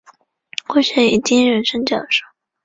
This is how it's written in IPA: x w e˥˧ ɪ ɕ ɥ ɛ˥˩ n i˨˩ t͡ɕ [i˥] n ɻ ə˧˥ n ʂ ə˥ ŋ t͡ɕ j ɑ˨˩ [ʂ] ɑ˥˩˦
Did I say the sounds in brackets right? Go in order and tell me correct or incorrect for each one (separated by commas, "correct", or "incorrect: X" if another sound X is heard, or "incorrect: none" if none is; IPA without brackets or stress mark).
correct, correct